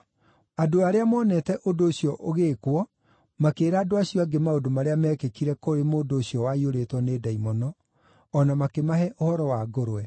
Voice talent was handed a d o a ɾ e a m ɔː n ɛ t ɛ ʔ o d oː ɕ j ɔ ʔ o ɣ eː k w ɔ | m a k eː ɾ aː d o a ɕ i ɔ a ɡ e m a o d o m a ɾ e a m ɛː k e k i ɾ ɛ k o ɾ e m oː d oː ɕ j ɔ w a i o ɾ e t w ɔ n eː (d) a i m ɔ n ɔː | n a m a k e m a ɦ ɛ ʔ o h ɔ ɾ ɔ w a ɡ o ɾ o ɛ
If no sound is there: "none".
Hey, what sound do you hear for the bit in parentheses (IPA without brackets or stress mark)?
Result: d